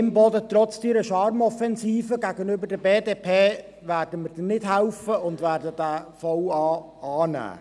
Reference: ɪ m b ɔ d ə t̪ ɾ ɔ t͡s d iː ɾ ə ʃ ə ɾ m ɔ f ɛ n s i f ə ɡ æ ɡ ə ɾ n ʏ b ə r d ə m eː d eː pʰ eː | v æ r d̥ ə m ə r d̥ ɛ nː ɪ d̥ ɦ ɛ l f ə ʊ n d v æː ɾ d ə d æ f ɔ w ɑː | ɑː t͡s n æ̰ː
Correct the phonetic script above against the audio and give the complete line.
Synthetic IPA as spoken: ɪ m b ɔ d ə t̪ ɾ ɔ t͡s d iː ɾ ə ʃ ɑ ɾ m ɔ f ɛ n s iː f ə ɡ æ ɡ ə n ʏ b ə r d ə b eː d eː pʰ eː | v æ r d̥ ə m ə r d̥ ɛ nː ɪ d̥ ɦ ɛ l f ə ʊ n d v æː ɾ d ə d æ f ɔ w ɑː | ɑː n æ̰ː